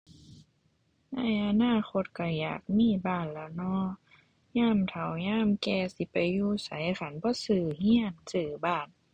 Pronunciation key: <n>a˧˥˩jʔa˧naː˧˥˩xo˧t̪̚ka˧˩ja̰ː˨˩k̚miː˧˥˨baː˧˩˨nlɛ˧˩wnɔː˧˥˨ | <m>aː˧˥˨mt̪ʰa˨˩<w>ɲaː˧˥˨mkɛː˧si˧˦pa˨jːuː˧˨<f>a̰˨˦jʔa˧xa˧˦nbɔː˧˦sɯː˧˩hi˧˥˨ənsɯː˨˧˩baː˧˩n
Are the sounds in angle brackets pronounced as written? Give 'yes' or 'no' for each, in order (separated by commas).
yes, no, yes, no